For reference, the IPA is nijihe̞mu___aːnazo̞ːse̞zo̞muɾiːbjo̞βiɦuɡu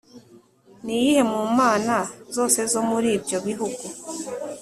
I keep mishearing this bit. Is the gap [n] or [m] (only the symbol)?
m